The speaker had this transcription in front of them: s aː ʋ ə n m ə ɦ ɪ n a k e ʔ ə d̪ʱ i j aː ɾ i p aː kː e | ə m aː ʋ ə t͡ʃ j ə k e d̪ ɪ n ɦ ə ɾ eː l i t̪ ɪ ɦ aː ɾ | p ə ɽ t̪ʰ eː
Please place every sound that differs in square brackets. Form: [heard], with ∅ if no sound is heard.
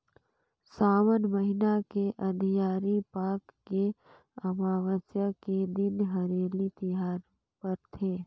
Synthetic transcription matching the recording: s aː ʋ ə n m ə ɦ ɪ n a k e ʔ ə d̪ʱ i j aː ɾ i p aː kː e | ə m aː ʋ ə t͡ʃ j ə k e d̪ ɪ n ɦ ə ɾ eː l i t̪ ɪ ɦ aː ɾ | p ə [ɾ] t̪ʰ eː